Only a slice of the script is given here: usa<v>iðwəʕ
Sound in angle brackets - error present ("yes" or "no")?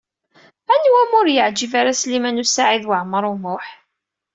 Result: yes